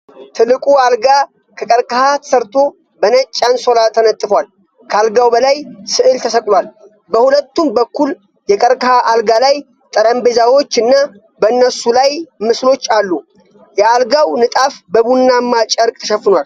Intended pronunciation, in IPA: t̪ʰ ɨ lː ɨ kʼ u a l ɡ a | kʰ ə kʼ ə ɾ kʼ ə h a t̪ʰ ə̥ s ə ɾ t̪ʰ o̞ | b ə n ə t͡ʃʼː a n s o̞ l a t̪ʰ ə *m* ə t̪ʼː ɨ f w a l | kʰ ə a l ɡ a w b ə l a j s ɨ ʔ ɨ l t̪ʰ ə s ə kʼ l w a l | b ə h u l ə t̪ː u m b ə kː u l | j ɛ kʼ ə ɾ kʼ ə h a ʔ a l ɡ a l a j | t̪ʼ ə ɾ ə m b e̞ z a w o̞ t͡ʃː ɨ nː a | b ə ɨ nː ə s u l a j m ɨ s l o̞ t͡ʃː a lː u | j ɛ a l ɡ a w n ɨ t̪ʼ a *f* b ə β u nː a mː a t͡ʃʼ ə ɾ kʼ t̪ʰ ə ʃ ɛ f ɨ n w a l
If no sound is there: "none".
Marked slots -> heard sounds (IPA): n, f

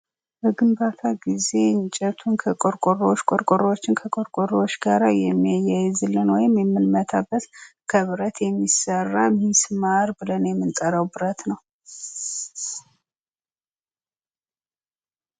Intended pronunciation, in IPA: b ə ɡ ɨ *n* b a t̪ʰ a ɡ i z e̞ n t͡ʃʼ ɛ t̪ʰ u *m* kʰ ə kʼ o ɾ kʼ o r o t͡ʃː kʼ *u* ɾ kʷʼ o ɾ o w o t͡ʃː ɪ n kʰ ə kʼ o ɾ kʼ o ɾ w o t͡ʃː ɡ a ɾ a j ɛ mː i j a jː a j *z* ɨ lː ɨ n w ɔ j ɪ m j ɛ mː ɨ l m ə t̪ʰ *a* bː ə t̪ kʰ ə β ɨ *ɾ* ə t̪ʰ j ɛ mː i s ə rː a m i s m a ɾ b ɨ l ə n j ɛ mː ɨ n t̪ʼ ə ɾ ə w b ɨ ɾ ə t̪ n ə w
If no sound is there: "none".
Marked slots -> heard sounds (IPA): m, n, o, z, a, ɾ

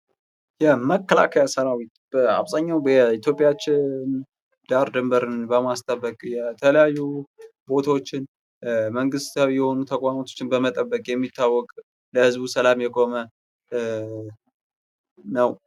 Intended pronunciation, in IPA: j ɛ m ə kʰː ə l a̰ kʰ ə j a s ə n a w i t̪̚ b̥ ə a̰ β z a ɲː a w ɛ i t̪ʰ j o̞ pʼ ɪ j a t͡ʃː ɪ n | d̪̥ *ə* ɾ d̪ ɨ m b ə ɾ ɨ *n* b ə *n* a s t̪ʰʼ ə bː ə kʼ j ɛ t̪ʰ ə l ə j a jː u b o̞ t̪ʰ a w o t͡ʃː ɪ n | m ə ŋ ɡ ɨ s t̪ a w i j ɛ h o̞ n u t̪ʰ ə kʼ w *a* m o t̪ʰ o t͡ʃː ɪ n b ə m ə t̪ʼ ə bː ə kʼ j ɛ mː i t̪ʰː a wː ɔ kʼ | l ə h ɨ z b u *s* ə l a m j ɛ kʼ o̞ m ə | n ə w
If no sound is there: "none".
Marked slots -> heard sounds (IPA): a, n, m, a, s

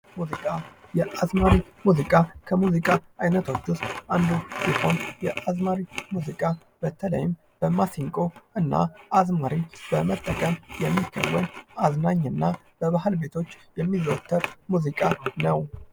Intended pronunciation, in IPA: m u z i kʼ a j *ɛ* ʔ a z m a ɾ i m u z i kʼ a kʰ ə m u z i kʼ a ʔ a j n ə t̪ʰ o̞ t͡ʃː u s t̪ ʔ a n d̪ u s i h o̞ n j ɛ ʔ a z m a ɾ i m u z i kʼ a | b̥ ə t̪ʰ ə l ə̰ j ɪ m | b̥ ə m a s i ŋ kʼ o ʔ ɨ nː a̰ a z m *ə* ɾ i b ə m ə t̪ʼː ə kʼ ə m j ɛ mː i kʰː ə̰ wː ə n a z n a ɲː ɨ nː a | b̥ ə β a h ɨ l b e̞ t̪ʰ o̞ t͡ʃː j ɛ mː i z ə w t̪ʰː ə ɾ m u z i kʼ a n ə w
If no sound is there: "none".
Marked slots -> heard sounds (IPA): ɛ, a

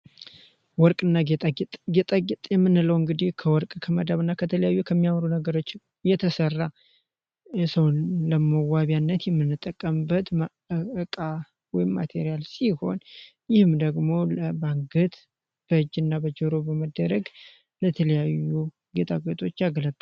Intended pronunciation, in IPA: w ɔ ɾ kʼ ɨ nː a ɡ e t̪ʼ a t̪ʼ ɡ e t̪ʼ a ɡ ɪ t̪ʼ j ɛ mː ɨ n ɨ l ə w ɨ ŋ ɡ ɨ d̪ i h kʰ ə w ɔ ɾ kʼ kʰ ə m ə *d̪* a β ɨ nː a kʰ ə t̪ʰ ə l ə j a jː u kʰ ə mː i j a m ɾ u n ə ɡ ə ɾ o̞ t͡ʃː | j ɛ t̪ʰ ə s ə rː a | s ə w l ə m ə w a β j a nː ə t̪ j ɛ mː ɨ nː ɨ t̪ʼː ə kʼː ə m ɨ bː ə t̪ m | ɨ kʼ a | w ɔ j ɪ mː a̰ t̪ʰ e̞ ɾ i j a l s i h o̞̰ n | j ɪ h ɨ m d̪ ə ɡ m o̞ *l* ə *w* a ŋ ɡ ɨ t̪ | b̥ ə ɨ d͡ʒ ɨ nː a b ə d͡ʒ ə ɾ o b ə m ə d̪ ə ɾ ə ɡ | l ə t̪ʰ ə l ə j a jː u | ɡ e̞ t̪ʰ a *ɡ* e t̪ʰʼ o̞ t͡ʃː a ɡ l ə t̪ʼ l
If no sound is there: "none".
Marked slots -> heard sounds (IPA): d̪, l, b, ɡ

